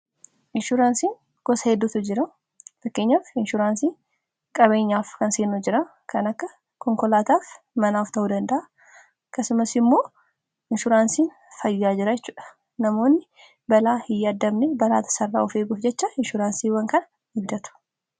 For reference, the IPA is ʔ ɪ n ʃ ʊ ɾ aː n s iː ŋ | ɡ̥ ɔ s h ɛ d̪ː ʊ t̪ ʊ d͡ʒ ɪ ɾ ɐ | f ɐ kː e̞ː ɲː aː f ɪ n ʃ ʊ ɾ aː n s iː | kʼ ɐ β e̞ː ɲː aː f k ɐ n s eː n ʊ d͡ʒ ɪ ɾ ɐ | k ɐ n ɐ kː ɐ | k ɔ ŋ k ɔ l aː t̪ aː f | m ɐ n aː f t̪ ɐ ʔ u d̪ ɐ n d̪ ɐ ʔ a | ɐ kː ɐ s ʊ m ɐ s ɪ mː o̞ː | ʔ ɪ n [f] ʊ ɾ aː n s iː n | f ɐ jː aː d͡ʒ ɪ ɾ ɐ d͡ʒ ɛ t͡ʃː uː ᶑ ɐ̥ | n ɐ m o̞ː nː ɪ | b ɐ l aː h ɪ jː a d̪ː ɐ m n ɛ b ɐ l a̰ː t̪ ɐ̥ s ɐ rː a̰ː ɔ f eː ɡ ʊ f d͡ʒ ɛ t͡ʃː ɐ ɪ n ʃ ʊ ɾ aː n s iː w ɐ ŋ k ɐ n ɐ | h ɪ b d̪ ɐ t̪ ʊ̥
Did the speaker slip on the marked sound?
yes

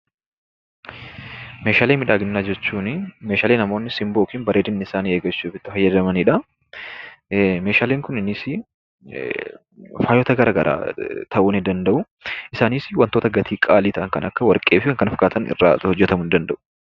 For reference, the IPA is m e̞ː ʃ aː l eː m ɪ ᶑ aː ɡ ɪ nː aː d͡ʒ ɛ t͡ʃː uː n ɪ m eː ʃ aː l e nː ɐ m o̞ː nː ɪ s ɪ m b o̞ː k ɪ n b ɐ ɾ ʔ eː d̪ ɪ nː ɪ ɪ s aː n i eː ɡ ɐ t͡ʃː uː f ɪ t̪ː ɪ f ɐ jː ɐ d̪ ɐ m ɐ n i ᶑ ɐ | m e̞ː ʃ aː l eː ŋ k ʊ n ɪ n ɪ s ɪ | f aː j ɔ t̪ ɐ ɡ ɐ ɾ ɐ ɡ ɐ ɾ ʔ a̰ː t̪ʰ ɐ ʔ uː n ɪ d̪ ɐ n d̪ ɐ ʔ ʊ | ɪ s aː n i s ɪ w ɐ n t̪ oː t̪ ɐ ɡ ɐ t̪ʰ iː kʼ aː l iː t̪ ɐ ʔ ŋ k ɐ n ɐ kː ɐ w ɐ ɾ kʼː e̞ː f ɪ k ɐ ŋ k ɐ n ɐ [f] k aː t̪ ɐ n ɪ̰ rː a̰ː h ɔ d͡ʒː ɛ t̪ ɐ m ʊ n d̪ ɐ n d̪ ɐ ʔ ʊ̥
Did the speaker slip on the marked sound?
no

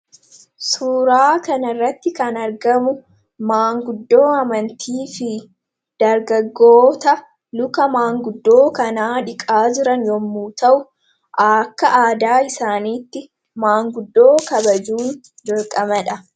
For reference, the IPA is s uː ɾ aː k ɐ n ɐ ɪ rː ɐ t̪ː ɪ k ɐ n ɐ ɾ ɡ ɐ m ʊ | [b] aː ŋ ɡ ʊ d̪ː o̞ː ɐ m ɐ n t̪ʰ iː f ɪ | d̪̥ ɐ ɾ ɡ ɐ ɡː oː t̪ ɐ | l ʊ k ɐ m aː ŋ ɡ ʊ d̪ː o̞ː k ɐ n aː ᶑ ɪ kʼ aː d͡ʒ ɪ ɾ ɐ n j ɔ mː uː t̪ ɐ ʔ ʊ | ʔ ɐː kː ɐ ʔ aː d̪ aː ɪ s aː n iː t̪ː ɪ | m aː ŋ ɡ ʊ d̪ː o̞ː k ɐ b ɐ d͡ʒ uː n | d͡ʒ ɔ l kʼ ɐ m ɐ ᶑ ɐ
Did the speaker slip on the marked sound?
yes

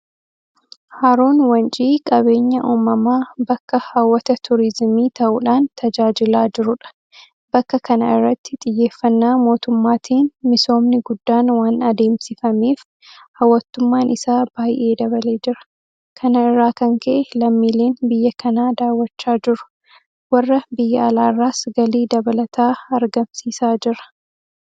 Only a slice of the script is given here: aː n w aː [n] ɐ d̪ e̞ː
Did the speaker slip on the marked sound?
no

